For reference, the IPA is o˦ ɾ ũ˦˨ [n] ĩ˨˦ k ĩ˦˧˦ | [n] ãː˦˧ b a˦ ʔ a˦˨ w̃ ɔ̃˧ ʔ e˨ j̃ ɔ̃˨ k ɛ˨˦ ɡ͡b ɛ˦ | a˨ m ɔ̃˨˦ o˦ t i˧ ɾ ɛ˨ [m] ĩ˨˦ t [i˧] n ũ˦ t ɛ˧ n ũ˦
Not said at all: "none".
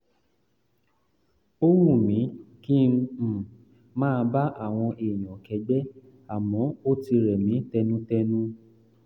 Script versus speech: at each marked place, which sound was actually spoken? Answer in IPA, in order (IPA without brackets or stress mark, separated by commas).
m, m, m, ɛ˧